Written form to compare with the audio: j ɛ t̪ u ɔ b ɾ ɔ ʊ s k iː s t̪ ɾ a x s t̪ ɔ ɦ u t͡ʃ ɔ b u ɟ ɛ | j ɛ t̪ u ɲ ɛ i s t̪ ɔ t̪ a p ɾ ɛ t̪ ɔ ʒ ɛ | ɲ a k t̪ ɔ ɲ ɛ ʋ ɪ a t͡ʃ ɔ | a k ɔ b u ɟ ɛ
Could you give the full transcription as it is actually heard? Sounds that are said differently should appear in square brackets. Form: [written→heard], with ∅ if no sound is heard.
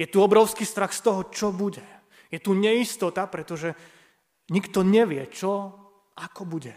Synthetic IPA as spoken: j ɛ t̪ u ɔ b ɾ ɔ ʊ s k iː s t̪ ɾ a x s t̪ ɔ ɦ [u→ɔ] t͡ʃ ɔ b u ɟ ɛ | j ɛ t̪ u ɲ ɛ i s t̪ ɔ t̪ a p ɾ ɛ t̪ ɔ ʒ ɛ | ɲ [a→i] k t̪ ɔ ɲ ɛ ʋ ɪ [a→ɛ] t͡ʃ ɔ | a k ɔ b u ɟ ɛ